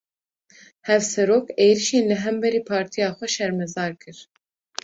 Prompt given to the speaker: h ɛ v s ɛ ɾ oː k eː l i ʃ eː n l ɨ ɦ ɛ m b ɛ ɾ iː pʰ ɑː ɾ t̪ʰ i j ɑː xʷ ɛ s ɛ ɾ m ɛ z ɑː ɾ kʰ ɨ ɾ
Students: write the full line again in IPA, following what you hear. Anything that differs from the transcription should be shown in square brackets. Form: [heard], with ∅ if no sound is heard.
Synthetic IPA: h ɛ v s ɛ ɾ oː k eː [ɾ] i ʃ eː n l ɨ ɦ ɛ m b ɛ ɾ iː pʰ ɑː ɾ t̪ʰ i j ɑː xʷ ɛ [ʃ] ɛ ɾ m ɛ z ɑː ɾ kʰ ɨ ɾ